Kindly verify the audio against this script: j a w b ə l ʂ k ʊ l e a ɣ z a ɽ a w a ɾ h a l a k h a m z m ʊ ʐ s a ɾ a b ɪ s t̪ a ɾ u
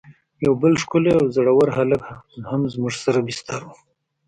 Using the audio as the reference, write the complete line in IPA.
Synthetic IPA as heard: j a w b ə l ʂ k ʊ l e a w z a ɽ a w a ɾ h a l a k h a m z m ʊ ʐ s a ɾ a b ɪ s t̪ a ɾ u